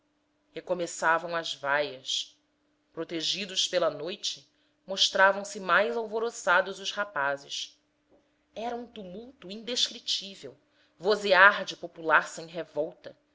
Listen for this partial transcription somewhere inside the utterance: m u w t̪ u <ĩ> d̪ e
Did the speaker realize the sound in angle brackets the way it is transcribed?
yes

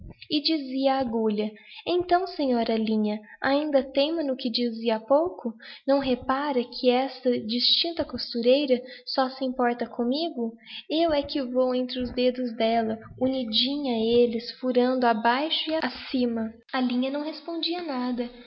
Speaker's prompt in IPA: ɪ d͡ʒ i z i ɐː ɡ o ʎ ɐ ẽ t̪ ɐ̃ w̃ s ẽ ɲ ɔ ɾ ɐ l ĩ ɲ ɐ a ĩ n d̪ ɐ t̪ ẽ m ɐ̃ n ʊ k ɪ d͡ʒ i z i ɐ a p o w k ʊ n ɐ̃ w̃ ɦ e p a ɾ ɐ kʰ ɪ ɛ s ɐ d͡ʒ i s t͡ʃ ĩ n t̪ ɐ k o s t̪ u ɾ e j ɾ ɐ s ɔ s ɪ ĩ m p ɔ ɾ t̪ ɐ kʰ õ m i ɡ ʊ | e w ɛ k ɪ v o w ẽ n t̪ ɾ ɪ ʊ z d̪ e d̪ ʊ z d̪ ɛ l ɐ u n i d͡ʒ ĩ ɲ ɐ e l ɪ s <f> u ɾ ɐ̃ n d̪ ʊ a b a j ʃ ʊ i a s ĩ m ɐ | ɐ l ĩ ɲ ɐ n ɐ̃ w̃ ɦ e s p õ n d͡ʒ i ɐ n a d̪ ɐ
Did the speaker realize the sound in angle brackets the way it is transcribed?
yes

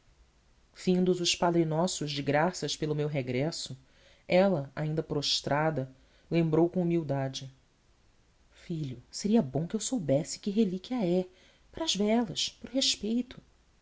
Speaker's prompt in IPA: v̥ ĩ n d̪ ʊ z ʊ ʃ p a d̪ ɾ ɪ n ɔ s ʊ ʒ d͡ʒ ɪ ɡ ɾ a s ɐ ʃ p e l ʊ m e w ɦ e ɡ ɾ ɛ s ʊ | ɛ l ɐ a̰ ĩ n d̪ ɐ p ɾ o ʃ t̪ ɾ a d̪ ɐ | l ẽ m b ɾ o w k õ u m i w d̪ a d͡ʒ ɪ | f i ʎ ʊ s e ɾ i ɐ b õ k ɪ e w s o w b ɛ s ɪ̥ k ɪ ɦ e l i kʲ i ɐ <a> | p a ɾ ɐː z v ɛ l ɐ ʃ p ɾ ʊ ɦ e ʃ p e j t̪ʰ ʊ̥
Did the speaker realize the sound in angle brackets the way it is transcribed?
no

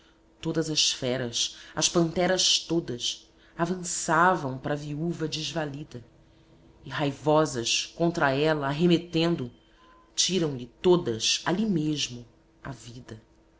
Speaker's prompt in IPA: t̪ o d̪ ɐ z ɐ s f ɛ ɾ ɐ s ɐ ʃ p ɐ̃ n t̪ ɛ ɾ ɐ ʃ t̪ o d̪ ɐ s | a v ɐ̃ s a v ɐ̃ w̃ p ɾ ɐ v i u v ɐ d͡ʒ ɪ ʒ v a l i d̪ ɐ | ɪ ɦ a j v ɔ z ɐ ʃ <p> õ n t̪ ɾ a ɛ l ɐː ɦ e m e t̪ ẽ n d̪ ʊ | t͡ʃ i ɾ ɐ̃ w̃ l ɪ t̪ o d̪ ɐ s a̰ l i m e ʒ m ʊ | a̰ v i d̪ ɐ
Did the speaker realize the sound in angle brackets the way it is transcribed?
no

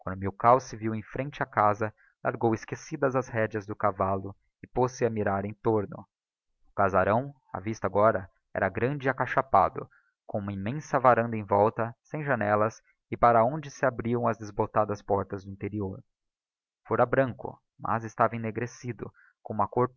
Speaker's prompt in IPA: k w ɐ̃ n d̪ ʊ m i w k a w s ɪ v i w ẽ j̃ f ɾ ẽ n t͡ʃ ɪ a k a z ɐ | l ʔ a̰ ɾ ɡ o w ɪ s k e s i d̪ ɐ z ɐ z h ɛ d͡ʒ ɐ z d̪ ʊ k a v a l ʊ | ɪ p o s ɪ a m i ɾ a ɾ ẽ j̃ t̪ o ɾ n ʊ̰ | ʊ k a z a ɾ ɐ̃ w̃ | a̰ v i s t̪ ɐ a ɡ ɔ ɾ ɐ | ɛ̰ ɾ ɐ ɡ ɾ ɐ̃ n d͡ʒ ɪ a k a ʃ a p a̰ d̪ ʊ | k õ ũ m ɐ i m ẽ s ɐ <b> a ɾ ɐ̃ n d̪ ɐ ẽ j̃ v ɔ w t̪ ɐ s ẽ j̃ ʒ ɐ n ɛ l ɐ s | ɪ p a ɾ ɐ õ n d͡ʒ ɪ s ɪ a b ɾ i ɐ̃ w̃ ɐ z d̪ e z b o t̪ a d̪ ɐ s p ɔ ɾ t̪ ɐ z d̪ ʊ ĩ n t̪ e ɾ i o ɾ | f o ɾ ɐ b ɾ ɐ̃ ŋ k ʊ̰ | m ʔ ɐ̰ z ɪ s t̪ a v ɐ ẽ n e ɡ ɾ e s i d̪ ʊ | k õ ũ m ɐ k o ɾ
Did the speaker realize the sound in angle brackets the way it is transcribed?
no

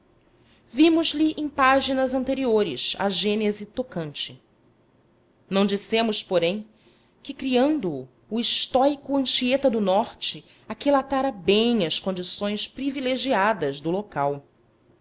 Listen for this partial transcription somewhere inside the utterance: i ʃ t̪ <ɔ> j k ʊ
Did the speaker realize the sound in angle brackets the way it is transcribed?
yes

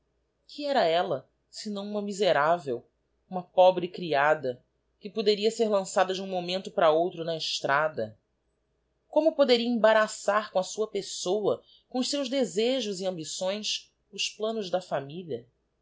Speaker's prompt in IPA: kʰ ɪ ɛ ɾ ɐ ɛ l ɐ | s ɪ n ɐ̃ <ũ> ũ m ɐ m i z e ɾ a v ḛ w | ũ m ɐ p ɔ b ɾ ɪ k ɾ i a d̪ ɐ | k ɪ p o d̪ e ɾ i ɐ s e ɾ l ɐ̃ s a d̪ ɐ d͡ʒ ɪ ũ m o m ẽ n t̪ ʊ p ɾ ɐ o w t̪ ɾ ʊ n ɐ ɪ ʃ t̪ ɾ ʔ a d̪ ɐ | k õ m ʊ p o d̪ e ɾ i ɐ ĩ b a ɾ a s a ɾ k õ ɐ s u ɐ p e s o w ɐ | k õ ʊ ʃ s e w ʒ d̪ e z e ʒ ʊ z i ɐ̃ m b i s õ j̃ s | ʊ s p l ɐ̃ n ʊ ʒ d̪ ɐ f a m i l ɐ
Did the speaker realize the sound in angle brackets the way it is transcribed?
no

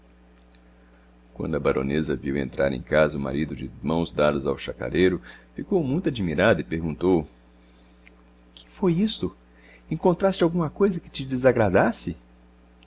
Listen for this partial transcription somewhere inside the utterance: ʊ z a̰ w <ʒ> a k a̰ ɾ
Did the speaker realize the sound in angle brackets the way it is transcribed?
no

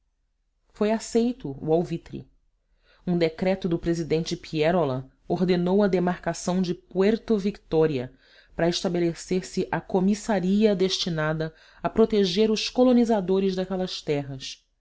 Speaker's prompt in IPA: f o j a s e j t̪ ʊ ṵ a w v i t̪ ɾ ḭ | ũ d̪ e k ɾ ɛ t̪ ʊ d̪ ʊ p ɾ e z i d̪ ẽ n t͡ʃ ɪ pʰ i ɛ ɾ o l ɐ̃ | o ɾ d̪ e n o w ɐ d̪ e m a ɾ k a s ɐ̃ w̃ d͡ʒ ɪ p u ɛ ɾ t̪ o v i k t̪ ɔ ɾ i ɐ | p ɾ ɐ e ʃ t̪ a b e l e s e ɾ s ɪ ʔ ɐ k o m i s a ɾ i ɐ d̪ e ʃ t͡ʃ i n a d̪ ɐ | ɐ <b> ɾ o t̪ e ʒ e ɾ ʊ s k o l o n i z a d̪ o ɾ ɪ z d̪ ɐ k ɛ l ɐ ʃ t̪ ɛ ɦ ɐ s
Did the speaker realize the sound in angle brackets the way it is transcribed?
no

